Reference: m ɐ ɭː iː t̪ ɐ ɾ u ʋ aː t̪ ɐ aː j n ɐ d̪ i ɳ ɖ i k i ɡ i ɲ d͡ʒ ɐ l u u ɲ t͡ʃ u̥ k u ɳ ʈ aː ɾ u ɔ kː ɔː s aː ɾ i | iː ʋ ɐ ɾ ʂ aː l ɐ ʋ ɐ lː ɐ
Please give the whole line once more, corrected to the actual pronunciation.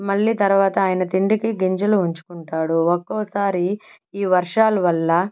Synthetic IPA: m ɐ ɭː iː t̪ ɐ ɾ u ʋ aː t̪ ɐ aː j n ɐ t̪ i ɳ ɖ i k i ɡ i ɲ d͡ʒ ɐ l u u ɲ t͡ʃ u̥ k u ɳ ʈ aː ɽ u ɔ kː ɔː s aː ɾ i | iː ʋ ɐ ɾ ʂ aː l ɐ ʋ ɐ lː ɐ